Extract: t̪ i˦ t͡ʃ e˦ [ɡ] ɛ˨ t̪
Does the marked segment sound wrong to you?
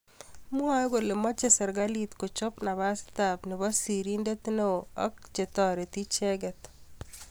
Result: no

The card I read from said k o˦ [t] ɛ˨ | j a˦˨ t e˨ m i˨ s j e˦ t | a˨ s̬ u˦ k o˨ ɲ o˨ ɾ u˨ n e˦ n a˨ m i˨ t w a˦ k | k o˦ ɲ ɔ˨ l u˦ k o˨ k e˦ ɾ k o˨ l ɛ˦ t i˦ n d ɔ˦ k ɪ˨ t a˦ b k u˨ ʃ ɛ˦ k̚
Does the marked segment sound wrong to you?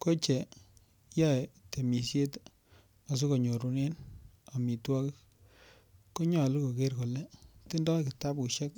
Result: yes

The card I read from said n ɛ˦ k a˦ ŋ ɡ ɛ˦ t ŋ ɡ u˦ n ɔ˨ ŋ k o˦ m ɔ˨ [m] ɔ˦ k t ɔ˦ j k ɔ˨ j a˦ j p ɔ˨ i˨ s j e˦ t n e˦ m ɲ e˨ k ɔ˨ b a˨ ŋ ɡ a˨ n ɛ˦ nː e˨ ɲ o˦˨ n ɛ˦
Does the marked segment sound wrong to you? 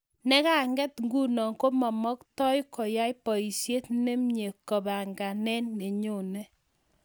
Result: no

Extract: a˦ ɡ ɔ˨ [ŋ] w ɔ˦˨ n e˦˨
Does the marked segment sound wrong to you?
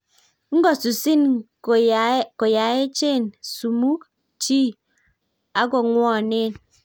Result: no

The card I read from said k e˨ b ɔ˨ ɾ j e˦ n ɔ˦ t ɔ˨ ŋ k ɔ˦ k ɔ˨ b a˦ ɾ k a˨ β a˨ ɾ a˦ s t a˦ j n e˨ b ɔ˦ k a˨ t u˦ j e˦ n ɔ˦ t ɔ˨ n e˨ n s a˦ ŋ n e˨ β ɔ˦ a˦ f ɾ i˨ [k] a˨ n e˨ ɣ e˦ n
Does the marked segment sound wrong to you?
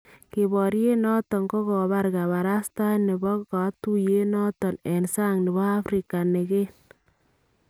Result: no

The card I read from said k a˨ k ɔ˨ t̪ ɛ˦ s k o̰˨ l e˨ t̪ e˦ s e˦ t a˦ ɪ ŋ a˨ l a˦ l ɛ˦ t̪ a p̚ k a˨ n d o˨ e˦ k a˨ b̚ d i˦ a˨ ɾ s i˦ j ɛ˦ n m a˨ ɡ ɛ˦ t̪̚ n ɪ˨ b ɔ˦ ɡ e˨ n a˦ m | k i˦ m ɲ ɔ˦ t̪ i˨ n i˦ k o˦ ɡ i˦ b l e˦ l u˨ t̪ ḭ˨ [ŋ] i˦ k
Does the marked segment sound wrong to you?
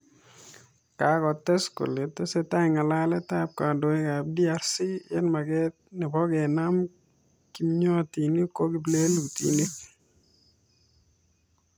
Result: yes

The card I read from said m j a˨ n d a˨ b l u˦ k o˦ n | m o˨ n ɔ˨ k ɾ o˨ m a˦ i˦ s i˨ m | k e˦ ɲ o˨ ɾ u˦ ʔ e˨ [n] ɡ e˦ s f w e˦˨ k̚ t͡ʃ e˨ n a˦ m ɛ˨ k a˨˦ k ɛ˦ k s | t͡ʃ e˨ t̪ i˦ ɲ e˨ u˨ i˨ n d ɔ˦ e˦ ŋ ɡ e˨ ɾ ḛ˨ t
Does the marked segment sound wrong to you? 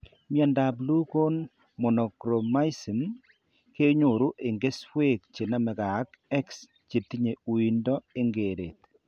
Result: yes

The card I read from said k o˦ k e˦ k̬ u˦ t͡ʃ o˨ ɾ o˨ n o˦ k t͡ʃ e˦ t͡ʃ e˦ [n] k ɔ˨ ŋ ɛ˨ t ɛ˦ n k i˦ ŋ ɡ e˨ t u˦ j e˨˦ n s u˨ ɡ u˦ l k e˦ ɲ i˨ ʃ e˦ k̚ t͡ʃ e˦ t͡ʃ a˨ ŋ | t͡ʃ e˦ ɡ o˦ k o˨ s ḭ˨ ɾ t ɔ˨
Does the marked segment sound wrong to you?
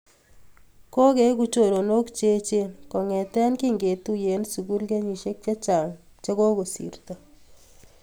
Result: no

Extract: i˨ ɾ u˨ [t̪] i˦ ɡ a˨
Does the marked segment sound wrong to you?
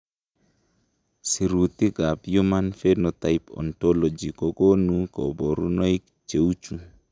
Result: no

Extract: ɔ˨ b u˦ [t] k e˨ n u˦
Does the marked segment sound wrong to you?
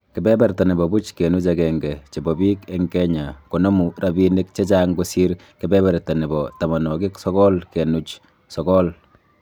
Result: yes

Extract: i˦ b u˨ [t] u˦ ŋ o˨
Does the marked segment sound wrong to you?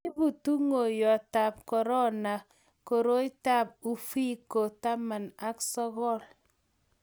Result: no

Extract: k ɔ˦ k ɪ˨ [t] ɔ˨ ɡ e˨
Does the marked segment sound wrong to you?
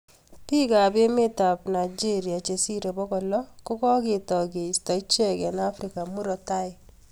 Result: no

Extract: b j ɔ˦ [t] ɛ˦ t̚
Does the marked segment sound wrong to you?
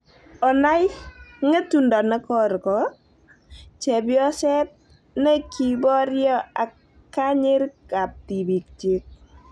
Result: yes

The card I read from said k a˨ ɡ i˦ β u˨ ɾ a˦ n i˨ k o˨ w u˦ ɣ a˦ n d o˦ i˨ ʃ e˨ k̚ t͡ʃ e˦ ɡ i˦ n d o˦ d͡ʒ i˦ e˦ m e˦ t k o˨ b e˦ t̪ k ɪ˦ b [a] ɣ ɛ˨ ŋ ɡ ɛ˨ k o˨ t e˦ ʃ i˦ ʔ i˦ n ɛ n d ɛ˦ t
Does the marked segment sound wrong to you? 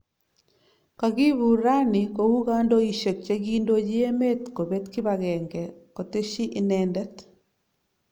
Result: no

